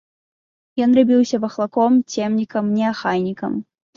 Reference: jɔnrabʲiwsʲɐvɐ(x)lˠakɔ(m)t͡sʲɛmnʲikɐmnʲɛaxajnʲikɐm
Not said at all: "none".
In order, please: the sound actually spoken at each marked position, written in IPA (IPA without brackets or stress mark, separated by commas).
x, m